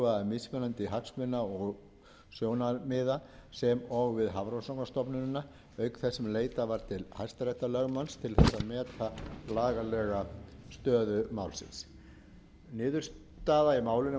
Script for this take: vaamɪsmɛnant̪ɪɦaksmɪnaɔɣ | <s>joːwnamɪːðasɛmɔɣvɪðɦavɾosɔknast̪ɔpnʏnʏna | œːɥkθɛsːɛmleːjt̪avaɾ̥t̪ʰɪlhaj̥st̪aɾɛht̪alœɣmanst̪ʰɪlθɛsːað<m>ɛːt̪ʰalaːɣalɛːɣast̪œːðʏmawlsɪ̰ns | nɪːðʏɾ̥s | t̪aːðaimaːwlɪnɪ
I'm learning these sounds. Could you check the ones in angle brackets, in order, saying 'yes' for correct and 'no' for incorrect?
yes, yes

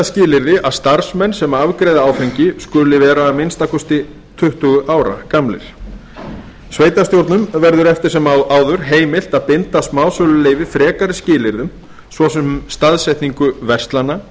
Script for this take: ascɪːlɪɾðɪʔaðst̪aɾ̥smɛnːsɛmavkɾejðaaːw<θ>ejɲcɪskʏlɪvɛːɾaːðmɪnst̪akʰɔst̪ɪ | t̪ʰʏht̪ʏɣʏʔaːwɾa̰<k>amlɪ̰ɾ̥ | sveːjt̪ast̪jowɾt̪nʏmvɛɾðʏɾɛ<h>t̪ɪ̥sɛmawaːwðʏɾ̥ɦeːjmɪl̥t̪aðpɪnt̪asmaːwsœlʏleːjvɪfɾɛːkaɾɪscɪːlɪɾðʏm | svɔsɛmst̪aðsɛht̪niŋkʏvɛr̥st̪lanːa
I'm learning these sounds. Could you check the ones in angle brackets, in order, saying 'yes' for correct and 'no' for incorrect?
no, yes, no

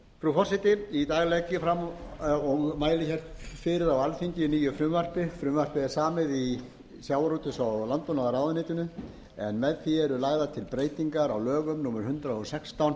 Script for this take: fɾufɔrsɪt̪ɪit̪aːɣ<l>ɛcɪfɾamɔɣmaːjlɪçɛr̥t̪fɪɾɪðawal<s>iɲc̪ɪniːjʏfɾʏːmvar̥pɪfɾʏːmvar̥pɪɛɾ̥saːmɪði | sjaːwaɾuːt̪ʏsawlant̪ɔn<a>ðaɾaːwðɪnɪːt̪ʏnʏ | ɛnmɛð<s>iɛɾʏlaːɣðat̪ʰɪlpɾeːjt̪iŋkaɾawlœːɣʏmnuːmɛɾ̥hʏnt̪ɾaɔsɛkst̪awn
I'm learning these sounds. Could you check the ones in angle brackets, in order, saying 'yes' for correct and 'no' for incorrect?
yes, no, yes, no

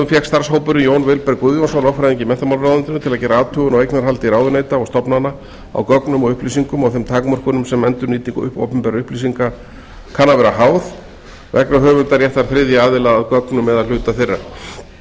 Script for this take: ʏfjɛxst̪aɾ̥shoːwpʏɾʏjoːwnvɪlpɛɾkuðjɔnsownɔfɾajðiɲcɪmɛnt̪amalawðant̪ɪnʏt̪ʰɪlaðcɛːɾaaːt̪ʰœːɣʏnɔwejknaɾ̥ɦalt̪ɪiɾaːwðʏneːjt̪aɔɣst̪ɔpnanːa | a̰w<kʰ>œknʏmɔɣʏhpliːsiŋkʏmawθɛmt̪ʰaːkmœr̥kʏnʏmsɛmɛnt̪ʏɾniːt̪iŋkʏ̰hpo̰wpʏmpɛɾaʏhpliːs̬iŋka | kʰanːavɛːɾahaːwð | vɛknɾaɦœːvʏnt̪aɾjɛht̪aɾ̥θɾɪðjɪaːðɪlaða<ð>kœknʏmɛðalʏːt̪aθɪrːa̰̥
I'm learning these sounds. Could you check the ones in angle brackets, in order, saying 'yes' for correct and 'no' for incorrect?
no, yes

